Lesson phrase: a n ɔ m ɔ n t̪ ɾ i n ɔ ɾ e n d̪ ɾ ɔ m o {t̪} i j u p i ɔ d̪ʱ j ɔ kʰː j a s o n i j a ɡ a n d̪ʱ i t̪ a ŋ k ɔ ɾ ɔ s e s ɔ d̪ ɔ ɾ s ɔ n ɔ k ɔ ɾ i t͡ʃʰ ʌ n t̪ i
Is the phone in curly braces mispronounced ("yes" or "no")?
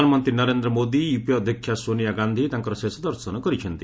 yes